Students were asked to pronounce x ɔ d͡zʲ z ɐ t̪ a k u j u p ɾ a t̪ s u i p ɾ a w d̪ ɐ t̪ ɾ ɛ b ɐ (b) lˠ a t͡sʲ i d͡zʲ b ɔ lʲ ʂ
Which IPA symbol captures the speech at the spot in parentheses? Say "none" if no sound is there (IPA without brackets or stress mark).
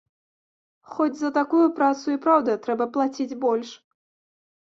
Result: p